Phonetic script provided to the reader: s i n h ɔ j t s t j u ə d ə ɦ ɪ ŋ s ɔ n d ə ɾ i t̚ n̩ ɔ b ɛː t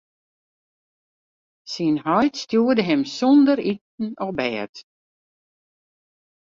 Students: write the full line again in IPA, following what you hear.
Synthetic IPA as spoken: s i n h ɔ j t s t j u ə d ə ɦ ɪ m s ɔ n d ə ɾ i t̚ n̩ ɔ b ɛː t